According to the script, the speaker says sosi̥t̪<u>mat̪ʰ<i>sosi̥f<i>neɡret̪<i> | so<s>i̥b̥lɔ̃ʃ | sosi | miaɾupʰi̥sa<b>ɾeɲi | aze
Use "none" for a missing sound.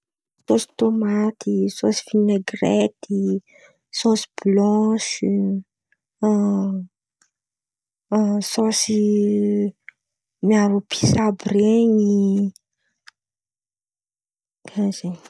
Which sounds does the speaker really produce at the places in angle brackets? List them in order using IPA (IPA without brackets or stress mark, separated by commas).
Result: o, i, i, i, s, b